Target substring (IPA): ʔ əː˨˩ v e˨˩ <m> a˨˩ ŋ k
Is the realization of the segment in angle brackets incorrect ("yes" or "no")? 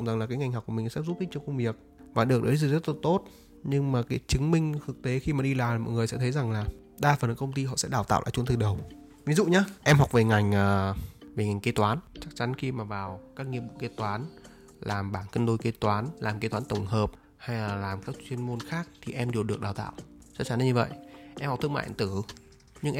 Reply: yes